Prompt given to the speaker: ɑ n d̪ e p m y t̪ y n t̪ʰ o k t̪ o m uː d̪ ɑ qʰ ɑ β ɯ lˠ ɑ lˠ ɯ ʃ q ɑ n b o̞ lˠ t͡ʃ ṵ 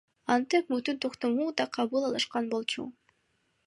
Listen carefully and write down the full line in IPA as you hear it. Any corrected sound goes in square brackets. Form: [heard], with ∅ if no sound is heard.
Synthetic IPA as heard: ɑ n [t̪] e p m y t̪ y n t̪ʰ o [q] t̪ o m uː d̪ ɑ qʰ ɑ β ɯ lˠ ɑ lˠ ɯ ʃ q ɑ n b o̞ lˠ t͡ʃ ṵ